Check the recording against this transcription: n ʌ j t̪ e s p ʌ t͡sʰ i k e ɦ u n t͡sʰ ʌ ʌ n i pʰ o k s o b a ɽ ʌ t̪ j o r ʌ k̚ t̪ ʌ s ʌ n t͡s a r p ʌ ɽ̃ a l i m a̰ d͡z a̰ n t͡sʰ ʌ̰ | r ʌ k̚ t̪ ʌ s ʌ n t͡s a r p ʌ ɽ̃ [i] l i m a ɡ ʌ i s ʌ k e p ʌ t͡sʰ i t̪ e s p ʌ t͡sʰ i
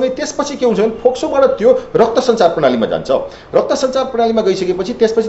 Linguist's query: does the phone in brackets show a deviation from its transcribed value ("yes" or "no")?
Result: yes